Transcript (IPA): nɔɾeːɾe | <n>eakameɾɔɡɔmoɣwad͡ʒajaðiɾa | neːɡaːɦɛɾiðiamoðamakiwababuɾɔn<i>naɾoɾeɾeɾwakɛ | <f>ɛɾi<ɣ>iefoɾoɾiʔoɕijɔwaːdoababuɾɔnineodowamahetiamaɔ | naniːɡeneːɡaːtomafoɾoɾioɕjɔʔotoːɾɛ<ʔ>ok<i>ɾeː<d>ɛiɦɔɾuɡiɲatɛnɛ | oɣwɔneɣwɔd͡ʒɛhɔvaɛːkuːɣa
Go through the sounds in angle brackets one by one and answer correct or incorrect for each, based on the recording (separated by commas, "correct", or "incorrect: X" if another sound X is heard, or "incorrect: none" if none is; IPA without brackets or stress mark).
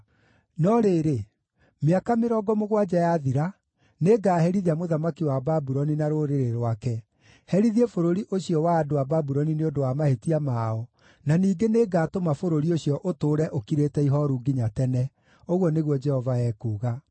incorrect: m, correct, incorrect: h, incorrect: ð, correct, correct, incorrect: t